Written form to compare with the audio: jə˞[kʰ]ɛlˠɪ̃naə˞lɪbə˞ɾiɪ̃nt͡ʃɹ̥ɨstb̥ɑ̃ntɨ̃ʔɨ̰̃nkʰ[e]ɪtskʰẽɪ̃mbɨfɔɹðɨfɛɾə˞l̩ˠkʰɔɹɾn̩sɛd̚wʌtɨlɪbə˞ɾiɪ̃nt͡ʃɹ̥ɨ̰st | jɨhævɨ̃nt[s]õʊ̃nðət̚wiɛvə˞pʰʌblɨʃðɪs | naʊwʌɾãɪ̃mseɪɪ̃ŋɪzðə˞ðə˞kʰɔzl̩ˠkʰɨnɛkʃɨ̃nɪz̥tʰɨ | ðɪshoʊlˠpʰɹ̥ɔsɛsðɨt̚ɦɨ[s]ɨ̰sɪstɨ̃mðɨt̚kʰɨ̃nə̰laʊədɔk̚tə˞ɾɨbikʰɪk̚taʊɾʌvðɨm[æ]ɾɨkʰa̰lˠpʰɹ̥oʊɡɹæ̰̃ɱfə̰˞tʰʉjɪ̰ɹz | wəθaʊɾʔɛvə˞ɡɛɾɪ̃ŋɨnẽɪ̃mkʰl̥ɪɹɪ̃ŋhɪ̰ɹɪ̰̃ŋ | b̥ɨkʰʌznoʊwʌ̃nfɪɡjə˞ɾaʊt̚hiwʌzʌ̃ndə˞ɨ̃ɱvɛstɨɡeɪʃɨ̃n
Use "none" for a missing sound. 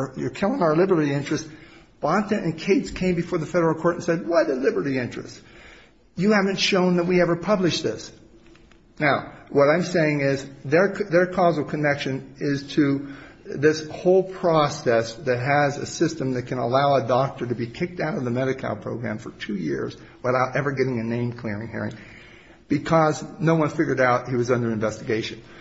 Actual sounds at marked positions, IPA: kʰ, e, ʃ, z, ɛ

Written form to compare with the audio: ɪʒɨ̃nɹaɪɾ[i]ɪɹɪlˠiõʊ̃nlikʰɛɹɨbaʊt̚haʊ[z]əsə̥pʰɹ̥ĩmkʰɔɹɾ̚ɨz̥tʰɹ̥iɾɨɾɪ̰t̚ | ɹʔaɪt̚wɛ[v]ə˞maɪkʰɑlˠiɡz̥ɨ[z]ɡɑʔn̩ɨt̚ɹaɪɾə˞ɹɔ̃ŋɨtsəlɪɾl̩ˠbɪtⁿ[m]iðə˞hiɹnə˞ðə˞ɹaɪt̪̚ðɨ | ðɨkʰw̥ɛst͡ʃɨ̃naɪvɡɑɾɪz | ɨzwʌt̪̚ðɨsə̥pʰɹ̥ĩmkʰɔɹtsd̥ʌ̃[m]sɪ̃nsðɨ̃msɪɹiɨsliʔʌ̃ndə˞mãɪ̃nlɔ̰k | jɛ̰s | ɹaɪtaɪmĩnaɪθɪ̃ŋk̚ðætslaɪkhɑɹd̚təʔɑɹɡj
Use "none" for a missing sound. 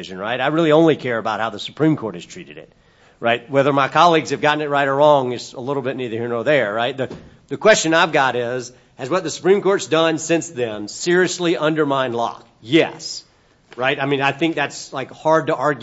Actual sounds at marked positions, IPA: a, ð, ð, v, n, n

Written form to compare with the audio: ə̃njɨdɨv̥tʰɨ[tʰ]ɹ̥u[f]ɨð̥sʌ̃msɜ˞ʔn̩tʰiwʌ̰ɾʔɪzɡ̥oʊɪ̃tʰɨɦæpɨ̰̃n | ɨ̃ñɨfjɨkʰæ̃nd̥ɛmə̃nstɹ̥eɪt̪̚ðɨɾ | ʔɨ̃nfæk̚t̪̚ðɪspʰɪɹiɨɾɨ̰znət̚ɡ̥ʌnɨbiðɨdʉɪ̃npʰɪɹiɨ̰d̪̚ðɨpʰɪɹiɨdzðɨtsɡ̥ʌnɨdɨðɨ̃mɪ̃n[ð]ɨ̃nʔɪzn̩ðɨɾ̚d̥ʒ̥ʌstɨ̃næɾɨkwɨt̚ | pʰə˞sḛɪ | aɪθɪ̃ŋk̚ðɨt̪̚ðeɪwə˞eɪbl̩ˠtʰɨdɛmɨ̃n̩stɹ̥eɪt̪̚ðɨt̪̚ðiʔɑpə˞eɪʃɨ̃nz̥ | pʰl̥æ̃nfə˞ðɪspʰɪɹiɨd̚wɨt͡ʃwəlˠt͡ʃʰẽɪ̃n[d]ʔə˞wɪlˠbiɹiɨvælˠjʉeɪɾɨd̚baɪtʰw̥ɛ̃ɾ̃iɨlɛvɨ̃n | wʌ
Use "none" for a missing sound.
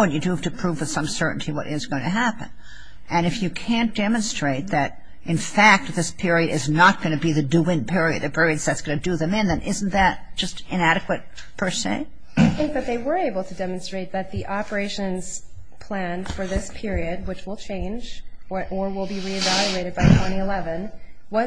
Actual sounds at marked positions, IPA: pʰ, v, ð, d͡ʒ

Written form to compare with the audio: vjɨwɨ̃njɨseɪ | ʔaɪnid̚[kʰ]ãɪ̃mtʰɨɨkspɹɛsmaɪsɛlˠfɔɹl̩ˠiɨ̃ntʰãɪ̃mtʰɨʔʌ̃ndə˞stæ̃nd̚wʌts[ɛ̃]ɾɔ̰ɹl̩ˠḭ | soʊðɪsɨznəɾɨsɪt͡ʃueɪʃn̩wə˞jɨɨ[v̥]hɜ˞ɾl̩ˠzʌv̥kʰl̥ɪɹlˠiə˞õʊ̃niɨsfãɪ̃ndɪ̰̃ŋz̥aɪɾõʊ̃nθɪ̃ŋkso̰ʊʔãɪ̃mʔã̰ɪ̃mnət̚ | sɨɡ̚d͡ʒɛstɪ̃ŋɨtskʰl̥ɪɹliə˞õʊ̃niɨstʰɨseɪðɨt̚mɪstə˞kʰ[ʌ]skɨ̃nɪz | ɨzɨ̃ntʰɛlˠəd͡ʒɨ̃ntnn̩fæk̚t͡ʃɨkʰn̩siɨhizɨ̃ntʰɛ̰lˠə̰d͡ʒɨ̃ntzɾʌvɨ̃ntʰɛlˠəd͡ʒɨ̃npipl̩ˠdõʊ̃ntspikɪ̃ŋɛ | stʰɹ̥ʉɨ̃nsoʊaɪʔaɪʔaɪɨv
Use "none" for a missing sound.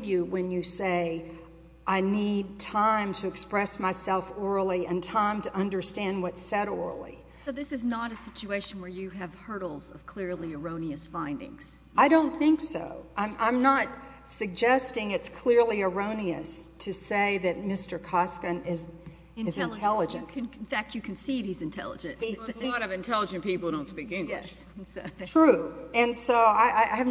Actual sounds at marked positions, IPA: tʰ, ɛ, v̥, ɑ

